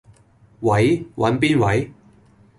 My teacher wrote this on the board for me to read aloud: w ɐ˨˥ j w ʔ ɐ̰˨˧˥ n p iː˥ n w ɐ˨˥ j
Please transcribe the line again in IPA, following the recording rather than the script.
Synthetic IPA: w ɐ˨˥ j w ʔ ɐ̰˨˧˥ n p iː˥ n w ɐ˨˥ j

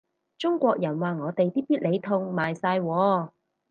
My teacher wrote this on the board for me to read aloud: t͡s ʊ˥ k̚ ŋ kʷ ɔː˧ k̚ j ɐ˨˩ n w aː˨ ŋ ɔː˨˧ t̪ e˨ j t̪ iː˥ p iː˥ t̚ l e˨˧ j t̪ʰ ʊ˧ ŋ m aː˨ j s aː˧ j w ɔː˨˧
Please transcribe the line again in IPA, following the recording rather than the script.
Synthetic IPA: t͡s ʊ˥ ŋ kʷ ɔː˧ k̚ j ɐ˨˩ n w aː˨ ŋ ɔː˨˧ t̪ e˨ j t̪ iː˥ p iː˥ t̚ l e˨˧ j t̪ʰ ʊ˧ ŋ m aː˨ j s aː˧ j w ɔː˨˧

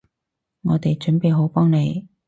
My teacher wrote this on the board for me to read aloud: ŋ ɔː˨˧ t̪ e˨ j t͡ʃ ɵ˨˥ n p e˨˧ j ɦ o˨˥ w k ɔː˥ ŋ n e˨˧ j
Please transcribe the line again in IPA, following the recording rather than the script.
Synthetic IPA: ŋ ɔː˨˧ t̪ e˨ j t͡ʃ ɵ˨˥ n p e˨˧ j ɦ o˨˥ w p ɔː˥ ŋ n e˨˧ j

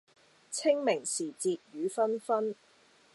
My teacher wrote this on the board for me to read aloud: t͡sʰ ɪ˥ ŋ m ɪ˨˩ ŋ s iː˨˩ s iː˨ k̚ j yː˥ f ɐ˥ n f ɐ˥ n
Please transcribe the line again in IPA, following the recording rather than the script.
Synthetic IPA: t͡sʰ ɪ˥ ŋ m ɪ˨˩ ŋ s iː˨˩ t͡s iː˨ t̚ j yː˨˦ f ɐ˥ n f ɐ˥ n

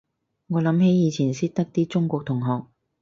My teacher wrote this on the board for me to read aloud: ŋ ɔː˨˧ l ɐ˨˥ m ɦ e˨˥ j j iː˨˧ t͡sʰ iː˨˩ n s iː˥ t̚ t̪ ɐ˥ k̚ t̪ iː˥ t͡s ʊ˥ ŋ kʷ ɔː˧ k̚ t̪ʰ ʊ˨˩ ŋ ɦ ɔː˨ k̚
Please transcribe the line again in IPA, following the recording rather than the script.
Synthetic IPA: ŋ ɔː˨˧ l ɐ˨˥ m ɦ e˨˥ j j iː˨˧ t͡sʰ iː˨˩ n s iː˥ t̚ t̪ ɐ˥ k̚ t̪ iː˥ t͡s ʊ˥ ŋ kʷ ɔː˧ k̚ t̪ʰ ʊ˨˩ ŋ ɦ ɔː˨ k̚

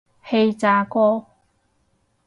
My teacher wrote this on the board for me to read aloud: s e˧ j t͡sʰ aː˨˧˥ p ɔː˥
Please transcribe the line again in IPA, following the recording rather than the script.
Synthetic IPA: h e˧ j t͡s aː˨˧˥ k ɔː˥

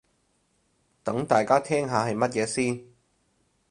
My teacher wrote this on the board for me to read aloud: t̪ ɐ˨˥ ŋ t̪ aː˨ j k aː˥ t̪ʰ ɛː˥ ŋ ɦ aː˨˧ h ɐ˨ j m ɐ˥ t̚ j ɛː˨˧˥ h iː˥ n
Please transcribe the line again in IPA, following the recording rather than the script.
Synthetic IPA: t̪ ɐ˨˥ ŋ t̪ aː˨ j k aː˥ t̪ʰ ɛː˥ ŋ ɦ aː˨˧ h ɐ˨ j m ɐ˥ t̚ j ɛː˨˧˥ s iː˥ n

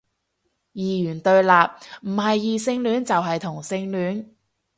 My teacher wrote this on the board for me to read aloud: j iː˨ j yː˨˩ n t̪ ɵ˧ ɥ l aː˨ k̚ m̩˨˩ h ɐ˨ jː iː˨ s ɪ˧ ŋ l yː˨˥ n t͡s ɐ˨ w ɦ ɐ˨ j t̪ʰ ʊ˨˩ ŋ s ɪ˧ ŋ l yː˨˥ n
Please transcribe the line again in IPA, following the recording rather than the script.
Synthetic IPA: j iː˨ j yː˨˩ n t̪ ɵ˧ ɥ l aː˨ p̚ m̩˨˩ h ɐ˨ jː iː˨ s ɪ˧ ŋ l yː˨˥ n t͡s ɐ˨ w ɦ ɐ˨ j t̪ʰ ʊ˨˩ ŋ s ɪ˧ ŋ l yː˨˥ n

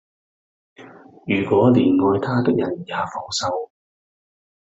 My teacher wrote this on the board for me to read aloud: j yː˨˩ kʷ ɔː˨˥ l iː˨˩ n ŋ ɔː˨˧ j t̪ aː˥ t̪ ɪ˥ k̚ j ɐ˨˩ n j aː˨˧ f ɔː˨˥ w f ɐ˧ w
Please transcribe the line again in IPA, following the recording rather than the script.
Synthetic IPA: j yː˨˩ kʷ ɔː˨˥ l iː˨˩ n ŋ ɔː˨˧ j t̪ʰ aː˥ t̪ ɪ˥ k̚ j ɐ˨˩ n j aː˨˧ f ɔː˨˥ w s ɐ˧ w

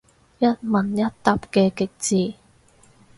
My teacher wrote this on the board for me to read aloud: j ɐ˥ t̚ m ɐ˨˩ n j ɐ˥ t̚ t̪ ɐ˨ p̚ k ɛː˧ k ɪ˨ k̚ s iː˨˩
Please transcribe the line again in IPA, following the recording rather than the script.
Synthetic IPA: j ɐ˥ t̚ m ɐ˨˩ n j ɐ˥ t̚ t̪ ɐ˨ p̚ k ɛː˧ k ɪ˨ k̚ t͡s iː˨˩

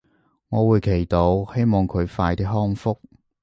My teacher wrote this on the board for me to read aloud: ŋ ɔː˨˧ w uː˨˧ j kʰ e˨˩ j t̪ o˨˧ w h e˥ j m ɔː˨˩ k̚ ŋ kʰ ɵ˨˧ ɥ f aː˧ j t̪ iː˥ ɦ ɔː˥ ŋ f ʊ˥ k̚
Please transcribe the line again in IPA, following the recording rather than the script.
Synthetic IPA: ŋ ɔː˨˧ w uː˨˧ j kʰ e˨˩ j t̪ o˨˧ w h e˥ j m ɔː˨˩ ŋ kʰ ɵ˨˧ ɥ f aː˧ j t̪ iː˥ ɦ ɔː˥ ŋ f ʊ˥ k̚

